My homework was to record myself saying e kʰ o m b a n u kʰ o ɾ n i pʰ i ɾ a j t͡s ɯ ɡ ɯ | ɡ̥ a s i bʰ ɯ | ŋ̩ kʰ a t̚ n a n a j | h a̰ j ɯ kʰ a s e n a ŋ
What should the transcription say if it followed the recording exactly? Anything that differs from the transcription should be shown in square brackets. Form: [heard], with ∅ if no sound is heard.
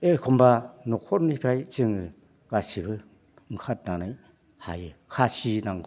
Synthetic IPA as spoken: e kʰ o m b a n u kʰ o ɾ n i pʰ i ɾ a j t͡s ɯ [ŋ] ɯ | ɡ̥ a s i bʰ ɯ | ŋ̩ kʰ a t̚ n a n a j | h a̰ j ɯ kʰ a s [i] n a ŋ